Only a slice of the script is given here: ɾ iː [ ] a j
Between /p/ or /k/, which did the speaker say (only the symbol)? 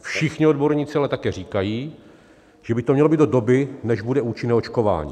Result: k